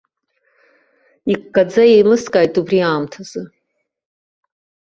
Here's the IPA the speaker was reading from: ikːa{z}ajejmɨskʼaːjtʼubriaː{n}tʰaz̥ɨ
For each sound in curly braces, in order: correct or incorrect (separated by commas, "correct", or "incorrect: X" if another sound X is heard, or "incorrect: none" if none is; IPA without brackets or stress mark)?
incorrect: d͡z, incorrect: m